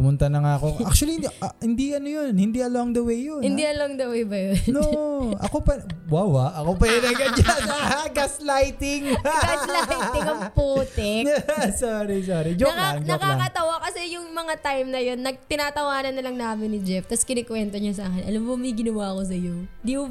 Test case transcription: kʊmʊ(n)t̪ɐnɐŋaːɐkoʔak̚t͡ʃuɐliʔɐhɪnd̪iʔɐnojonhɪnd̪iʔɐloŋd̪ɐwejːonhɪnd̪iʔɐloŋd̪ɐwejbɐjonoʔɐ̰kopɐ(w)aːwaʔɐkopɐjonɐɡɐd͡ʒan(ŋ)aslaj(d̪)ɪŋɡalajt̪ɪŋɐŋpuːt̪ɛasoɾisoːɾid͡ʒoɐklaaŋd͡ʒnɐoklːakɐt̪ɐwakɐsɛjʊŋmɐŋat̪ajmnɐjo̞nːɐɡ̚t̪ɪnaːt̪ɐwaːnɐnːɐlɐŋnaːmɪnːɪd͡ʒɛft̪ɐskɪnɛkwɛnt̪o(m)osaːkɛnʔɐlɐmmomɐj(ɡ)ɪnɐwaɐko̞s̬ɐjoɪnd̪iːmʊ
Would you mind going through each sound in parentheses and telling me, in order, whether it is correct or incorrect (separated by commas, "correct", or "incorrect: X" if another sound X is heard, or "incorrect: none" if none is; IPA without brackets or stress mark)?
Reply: correct, correct, incorrect: ɡ, incorrect: t̪, incorrect: ɲ, correct